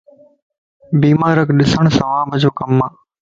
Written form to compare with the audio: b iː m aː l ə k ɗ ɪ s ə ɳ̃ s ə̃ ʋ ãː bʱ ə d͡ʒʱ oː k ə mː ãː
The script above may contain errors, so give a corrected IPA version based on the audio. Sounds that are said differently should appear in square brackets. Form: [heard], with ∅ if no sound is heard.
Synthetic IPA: b iː m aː [ɾ] ə k ɗ ɪ s ə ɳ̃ s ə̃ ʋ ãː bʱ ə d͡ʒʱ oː k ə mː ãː